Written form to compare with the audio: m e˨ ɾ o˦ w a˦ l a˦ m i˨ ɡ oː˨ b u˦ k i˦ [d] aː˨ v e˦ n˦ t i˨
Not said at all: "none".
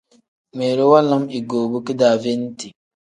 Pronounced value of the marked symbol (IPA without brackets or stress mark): d